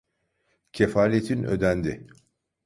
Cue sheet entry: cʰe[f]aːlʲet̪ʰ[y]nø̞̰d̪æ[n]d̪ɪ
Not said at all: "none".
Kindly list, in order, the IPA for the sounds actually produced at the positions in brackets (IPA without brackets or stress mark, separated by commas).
f, i, n